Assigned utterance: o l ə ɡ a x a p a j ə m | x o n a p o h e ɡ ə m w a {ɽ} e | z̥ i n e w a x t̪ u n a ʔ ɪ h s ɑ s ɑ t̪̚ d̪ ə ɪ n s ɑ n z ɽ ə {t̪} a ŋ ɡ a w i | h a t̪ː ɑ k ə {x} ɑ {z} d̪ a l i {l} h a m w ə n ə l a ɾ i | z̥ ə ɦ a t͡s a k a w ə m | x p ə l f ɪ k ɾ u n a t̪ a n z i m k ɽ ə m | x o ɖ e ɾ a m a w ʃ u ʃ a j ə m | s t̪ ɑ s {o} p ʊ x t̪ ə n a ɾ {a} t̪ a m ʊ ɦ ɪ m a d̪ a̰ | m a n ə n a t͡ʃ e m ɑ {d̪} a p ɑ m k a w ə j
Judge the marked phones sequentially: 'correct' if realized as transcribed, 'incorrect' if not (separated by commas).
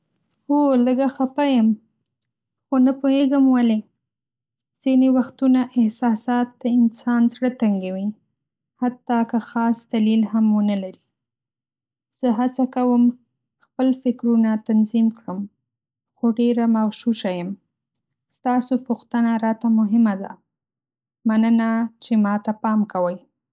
incorrect, correct, correct, incorrect, correct, correct, incorrect, incorrect